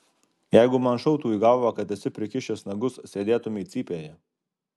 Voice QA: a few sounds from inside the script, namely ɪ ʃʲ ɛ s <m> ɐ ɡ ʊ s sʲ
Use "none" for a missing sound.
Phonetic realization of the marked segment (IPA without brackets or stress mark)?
n